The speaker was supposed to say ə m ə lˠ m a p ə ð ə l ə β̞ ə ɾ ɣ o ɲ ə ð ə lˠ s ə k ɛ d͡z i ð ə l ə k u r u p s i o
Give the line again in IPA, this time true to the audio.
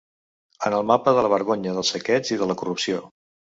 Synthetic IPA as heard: ə n ə lˠ m a p ə ð ə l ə β̞ ə ɾ ɣ o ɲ ə ð ə lˠ s ə k ɛ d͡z i ð ə l ə k u r u p s i o